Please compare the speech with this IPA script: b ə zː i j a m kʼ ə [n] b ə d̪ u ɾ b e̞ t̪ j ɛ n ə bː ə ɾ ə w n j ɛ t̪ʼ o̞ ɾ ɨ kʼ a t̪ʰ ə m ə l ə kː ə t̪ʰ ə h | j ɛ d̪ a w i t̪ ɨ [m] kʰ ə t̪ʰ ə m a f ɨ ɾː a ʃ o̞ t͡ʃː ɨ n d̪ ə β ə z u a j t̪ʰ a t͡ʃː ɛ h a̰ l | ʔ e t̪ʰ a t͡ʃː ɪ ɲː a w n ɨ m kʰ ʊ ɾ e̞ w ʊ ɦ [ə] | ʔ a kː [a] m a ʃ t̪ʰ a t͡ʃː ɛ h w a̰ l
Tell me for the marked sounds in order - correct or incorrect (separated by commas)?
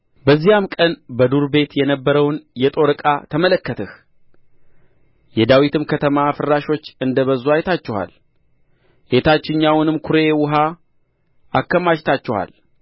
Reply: correct, correct, incorrect, incorrect